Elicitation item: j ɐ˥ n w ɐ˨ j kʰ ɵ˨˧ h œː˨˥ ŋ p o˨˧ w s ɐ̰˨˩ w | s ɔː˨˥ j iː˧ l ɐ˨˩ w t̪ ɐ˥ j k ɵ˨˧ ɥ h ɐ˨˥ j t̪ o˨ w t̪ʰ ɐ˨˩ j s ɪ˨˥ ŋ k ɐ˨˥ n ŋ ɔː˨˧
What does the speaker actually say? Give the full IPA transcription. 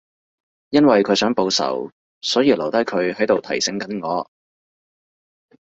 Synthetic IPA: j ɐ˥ n w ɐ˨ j kʰ ɵ˨˧ s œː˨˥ ŋ p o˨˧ w s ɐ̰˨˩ w | s ɔː˨˥ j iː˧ l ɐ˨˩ w t̪ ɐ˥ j kʰ ɵ˨˧ ɥ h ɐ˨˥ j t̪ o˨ w t̪ʰ ɐ˨˩ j s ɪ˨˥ ŋ k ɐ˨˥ n ŋ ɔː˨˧